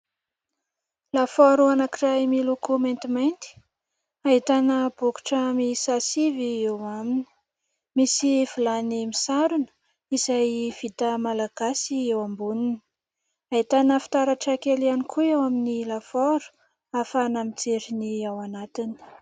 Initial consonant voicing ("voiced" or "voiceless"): voiced